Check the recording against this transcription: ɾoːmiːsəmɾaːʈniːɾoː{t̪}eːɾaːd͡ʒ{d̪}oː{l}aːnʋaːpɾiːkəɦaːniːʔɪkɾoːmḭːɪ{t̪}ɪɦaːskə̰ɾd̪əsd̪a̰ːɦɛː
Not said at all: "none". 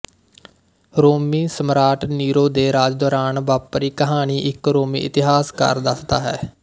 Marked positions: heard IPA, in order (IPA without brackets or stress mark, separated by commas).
d̪, d̪, ɾ, t̪